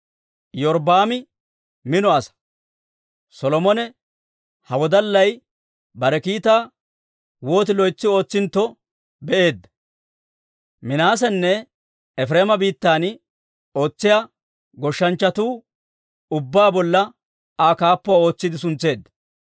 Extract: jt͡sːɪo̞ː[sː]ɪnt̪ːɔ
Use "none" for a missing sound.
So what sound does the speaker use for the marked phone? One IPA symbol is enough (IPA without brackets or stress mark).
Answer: t͡sː